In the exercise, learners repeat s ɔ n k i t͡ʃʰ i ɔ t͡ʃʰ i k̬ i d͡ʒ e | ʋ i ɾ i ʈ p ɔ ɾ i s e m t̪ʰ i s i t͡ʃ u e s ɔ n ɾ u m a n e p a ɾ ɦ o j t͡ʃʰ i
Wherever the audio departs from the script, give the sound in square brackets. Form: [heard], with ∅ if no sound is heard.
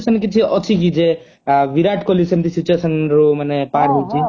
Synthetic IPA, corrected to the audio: s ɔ n k i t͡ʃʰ i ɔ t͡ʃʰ i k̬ i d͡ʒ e | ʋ i ɾ [a] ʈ [k] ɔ [l] i s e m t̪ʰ i s i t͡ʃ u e s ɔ n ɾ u m a n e p a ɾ ɦ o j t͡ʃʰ i